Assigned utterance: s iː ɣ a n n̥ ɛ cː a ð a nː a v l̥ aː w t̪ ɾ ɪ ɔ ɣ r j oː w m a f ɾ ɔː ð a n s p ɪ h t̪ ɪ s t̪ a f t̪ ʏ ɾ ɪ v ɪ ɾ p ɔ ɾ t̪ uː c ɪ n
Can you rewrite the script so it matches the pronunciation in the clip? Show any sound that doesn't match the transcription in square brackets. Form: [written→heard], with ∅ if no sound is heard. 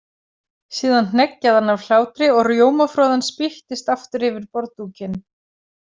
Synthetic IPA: s iː [ɣ→ð] a n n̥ ɛ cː a ð a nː a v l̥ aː w t̪ ɾ ɪ ɔ ɣ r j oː w m a f ɾ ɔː ð a n s p ɪ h t̪ ɪ s t̪ a f t̪ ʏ ɾ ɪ v ɪ ɾ p ɔ ɾ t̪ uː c ɪ n